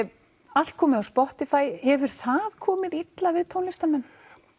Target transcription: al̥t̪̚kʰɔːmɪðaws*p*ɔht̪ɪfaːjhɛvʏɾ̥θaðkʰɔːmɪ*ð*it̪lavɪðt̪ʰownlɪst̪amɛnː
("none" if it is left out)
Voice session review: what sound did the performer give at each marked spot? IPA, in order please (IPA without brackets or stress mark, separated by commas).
p, ð